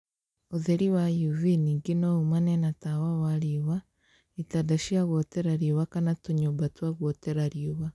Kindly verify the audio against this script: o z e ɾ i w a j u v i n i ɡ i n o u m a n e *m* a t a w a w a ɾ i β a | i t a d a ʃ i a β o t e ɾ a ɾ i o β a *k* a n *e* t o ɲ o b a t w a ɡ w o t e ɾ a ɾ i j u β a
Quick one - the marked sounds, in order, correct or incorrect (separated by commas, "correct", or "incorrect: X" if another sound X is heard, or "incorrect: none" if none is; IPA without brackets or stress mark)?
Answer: incorrect: n, correct, incorrect: a